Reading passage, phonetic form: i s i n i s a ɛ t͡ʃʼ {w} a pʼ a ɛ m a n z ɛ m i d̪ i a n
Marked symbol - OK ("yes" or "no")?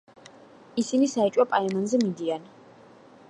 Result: yes